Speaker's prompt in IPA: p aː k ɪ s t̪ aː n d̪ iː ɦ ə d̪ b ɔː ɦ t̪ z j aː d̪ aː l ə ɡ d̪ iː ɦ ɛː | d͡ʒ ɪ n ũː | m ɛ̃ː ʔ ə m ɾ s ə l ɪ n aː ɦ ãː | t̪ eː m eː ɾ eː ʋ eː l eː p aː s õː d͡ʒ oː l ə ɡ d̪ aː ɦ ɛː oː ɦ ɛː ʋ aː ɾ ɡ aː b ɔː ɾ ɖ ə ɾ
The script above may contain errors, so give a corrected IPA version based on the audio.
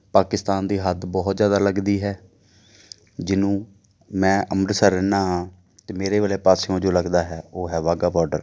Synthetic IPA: p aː k ɪ s t̪ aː n d̪ iː ɦ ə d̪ b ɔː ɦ t̪ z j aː d̪ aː l ə ɡ d̪ iː ɦ ɛː | d͡ʒ ɪ n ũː | m ɛ̃ː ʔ ə m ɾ s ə ɾ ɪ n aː ɦ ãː | t̪ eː m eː ɾ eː ʋ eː l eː p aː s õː d͡ʒ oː l ə ɡ d̪ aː ɦ ɛː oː ɦ ɛː ʋ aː ɡ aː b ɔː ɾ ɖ ə ɾ